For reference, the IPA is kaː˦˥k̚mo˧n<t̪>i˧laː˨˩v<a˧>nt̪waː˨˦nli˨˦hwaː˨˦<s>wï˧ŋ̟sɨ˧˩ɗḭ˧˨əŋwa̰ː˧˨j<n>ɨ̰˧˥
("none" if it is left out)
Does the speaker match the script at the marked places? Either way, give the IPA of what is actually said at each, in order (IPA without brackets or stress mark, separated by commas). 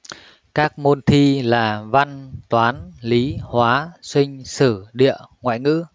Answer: t̪ʰ, a˧, s, ŋ